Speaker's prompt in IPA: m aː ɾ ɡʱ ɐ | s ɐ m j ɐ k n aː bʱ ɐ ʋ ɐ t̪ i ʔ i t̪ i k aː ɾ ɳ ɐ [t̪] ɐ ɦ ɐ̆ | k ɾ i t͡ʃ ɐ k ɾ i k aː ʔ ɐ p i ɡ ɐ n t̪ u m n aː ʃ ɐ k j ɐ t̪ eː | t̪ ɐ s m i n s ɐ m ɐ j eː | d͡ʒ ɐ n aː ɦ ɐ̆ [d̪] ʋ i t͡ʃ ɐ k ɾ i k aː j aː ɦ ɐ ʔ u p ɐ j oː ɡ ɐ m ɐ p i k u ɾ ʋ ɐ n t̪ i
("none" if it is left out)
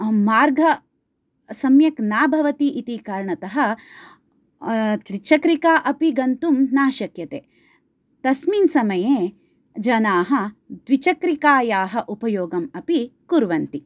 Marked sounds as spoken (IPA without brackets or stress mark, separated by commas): t̪, d̪